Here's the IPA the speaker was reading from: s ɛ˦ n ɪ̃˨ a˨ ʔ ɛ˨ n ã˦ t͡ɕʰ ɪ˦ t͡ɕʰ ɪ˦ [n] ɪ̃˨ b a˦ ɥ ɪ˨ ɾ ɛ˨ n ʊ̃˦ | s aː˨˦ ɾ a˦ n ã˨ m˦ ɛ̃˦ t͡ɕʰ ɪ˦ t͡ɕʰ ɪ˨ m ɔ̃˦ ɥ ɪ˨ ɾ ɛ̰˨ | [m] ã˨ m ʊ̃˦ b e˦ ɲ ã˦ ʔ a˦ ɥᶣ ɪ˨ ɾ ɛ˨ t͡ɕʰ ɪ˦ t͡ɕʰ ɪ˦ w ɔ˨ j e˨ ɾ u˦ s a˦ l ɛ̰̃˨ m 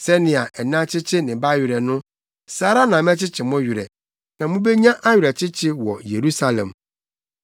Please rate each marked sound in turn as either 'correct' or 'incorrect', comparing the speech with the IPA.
correct, incorrect: n

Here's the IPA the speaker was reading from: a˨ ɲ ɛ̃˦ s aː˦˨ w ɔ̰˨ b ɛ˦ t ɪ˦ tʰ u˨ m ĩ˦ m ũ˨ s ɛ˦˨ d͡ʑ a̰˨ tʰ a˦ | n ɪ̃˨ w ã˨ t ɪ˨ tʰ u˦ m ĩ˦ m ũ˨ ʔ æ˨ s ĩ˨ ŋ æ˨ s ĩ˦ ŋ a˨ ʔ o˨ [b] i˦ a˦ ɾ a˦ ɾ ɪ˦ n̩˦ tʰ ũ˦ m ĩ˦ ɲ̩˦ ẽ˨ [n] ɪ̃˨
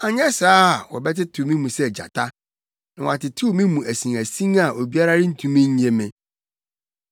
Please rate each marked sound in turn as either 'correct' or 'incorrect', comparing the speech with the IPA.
correct, incorrect: m

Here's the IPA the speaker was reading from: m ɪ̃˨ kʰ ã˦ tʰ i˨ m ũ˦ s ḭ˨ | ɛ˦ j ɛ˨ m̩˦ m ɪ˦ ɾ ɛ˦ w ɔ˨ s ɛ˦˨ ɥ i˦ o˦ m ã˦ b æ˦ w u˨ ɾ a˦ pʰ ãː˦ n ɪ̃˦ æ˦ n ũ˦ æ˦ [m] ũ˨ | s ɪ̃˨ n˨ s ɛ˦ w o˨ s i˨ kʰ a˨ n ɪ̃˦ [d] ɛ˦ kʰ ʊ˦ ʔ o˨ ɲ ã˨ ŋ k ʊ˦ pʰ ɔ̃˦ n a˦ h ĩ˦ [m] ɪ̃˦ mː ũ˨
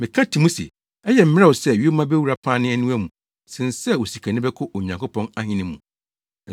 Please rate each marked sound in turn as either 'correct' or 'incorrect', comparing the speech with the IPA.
correct, incorrect: b, incorrect: n

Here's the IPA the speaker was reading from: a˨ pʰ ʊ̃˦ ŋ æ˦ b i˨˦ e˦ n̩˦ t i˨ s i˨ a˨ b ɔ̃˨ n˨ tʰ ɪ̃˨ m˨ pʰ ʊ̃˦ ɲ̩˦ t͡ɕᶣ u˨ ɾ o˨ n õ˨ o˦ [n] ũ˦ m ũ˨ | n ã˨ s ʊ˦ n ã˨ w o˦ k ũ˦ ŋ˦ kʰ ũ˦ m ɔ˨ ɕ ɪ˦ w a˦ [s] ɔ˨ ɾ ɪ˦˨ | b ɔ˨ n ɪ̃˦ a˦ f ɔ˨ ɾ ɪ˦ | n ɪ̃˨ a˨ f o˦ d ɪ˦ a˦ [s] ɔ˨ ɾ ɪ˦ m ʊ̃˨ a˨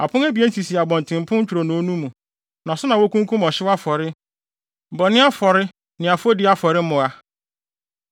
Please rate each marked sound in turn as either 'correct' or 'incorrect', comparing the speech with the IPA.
correct, incorrect: f, incorrect: f

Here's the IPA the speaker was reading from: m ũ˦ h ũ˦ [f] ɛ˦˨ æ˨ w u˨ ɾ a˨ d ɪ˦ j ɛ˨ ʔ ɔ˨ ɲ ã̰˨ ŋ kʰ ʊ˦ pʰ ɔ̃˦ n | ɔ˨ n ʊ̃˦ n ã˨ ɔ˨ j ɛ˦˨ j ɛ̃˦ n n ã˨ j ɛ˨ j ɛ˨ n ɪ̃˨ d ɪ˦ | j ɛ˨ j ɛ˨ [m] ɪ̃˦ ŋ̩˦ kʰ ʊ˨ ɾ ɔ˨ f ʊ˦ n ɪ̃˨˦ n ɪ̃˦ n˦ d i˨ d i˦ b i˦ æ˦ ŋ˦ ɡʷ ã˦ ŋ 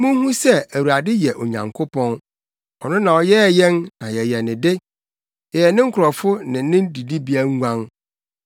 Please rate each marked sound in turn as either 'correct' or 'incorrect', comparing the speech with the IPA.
incorrect: s, incorrect: n

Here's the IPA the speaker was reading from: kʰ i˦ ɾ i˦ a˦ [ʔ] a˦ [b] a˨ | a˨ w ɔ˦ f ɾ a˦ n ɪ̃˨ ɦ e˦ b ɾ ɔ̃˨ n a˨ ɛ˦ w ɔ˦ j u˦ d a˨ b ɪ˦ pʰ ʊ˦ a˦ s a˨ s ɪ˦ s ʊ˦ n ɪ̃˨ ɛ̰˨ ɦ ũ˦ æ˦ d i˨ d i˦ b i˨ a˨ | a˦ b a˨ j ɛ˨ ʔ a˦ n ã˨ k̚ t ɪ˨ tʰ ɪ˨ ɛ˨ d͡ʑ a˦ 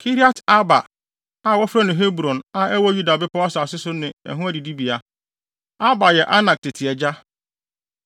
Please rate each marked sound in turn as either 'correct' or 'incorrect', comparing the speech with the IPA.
incorrect: t, correct

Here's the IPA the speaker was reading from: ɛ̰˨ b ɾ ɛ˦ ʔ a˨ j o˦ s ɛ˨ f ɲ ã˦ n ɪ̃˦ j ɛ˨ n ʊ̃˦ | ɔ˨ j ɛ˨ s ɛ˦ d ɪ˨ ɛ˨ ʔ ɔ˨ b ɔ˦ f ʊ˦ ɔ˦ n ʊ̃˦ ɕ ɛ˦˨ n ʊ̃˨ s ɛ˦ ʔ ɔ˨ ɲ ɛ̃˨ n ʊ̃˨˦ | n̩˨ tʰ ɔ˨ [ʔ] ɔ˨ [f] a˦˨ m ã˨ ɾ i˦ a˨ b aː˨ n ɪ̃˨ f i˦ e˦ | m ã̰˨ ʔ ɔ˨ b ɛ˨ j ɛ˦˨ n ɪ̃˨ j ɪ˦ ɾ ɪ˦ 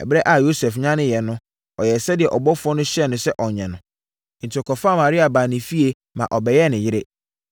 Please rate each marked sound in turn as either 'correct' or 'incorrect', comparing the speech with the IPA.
incorrect: k, correct

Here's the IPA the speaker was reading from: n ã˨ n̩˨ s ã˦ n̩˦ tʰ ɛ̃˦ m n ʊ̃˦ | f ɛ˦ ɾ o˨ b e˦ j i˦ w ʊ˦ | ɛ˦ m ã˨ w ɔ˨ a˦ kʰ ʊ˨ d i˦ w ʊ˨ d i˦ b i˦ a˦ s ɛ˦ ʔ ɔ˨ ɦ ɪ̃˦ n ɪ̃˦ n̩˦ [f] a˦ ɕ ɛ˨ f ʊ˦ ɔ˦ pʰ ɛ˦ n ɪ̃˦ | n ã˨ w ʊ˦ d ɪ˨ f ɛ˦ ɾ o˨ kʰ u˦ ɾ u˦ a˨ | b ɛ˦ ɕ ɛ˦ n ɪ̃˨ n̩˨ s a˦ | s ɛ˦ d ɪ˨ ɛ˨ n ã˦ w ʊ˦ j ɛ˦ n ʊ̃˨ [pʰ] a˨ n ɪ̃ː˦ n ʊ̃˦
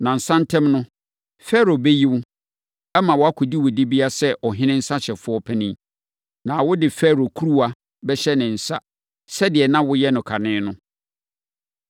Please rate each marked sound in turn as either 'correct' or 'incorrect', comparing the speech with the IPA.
incorrect: s, incorrect: kʰ

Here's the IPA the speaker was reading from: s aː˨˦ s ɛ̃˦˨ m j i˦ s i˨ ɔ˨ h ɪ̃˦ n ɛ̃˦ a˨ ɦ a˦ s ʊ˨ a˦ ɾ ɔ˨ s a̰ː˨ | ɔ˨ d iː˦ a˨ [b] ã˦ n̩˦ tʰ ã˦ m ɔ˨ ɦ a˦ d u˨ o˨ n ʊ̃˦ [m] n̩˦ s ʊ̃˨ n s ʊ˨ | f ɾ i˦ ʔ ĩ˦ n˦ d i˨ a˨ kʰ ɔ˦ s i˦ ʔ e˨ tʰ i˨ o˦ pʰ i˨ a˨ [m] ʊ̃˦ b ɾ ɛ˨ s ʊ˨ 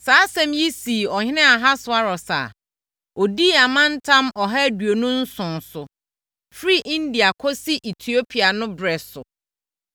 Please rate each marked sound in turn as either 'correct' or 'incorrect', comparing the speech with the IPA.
incorrect: m, incorrect: none, incorrect: n

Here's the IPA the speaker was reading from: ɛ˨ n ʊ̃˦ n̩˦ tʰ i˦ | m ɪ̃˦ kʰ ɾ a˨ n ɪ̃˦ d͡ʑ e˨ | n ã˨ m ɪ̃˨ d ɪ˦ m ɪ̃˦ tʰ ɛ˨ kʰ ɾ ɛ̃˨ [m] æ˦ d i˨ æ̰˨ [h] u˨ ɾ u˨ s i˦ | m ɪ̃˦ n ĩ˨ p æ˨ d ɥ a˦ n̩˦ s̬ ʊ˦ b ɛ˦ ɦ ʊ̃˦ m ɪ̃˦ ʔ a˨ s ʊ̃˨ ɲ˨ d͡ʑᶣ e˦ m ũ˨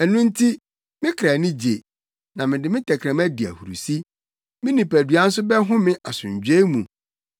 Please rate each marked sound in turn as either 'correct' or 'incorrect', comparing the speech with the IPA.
correct, correct

